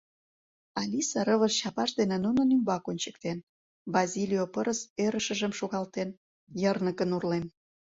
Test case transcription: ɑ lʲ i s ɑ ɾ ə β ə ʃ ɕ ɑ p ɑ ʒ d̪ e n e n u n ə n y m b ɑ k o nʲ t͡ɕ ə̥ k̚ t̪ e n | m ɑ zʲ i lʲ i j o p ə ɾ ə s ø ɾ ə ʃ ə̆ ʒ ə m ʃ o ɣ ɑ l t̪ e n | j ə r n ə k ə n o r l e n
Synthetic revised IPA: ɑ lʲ i s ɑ ɾ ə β ə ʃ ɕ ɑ p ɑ ʃ d̪ e n e n u n ə n y m b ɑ k o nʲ t͡ɕ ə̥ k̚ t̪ e n | b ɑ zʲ i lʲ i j o p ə ɾ ə s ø ɾ ə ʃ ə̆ ʒ ə m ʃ o ɣ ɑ l t̪ e n | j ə r n ə k ə n u r l e n